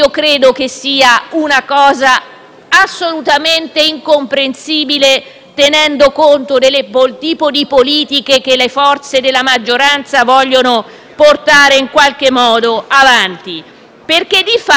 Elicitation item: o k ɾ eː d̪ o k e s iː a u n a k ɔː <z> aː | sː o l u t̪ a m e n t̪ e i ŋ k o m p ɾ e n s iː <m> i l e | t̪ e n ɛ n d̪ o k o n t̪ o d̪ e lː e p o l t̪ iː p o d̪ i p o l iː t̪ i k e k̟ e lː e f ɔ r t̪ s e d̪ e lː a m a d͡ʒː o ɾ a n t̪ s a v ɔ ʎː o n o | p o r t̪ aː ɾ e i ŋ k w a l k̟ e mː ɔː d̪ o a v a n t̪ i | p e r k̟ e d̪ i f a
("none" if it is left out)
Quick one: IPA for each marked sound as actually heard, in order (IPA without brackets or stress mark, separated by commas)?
z, b